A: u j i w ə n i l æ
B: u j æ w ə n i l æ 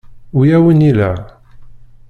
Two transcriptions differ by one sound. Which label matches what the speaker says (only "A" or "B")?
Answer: B